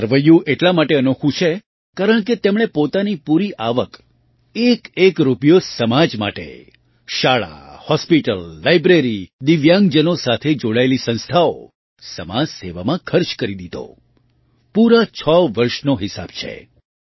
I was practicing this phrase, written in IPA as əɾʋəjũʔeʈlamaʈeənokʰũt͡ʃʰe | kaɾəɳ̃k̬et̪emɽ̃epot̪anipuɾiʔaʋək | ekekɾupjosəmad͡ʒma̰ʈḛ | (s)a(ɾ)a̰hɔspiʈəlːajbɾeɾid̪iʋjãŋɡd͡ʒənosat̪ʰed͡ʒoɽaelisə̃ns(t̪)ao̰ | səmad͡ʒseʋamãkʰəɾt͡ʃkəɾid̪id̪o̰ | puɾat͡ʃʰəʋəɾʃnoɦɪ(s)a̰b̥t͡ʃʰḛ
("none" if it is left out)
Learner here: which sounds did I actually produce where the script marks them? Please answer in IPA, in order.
ʃ, ɭ, t̪ʰ, s

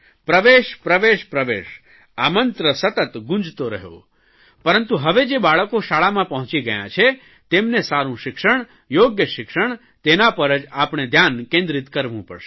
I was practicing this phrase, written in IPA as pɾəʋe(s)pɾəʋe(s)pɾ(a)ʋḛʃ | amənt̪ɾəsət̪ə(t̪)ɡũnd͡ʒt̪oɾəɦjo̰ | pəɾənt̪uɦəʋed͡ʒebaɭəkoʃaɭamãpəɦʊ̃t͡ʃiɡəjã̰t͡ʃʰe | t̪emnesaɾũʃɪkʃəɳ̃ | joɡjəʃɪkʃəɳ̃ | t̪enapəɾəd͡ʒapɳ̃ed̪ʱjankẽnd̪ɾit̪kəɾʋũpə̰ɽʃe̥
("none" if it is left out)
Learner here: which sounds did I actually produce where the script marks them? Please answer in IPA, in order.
ʃ, ʃ, ə, t̪

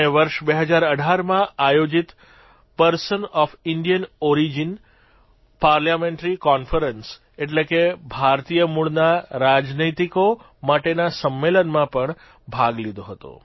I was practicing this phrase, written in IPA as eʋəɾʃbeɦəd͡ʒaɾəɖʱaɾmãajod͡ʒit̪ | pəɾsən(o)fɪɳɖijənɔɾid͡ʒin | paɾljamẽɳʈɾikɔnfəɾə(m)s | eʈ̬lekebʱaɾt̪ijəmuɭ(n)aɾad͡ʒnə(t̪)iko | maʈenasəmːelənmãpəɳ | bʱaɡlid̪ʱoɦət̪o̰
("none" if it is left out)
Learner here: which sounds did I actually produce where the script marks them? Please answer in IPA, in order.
ɔ, n, n, t̪

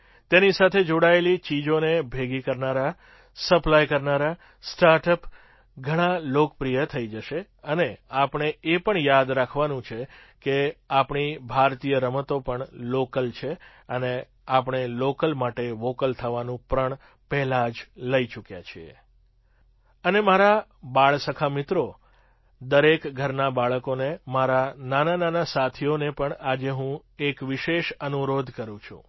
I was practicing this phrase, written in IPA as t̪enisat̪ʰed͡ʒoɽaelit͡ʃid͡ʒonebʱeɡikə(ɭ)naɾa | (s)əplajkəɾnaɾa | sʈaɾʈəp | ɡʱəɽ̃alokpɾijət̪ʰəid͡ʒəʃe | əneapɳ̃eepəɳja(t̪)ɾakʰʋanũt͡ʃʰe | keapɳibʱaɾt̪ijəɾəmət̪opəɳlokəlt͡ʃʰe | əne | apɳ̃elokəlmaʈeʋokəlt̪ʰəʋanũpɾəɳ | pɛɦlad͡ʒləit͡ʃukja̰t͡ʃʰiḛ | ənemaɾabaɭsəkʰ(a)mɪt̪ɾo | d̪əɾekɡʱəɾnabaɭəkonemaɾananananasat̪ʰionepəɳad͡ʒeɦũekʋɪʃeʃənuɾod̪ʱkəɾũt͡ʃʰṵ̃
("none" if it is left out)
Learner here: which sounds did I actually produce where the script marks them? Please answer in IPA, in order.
ɾ, s, d̪, a

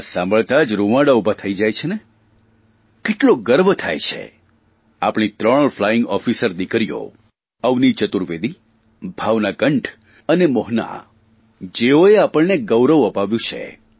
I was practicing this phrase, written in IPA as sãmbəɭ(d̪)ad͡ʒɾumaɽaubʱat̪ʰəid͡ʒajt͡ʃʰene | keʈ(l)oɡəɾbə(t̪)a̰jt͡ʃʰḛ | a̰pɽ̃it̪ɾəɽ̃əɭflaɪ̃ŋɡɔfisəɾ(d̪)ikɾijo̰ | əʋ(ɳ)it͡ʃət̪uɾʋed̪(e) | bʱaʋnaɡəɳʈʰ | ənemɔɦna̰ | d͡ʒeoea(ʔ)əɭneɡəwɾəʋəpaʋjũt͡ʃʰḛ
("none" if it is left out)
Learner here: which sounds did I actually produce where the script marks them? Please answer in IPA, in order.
t̪, l, t̪ʰ, d̪, n, i, p

